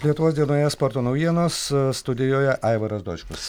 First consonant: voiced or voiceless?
voiced